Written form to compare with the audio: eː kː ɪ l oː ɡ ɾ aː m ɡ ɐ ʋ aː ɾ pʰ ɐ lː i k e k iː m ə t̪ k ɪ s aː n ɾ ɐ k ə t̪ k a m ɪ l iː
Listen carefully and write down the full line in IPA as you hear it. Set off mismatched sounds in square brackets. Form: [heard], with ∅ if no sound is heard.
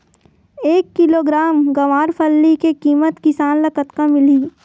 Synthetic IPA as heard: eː kː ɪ l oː ɡ ɾ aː m ɡ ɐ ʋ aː ɾ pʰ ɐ lː i k e k iː m ə t̪ k ɪ s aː n [l] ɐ k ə t̪ k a m ɪ l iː